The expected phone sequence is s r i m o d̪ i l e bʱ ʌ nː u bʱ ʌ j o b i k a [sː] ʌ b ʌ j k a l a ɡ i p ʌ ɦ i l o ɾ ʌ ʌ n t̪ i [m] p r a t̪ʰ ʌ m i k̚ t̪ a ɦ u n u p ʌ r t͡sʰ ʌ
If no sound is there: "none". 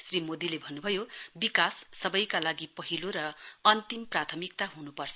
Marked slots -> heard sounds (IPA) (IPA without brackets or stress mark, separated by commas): sː, m